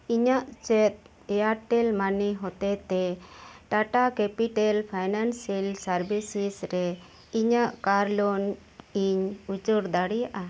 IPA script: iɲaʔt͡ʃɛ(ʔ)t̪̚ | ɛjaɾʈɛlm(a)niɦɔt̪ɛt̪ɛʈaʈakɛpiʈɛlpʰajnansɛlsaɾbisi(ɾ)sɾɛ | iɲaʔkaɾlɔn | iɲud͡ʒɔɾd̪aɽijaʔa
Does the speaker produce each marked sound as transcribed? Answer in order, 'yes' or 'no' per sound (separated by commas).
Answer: no, yes, no